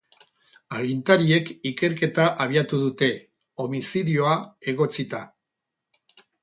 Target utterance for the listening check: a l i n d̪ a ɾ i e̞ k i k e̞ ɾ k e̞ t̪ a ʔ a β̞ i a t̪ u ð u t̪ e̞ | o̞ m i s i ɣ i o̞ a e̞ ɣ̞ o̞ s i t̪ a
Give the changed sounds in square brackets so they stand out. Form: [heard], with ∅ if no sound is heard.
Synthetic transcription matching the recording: a l i n [t̪] a ɾ i e̞ k i k e̞ ɾ k e̞ t̪ a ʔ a β̞ i a t̪ u ð u t̪ e̞ | o̞ m i s i [ð] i o̞ a e̞ ɣ̞ o̞ [t͡s] i t̪ a